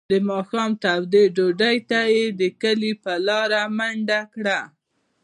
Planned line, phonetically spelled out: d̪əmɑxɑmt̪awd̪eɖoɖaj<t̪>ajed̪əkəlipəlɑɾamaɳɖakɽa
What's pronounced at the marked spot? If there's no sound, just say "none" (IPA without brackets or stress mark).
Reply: t̪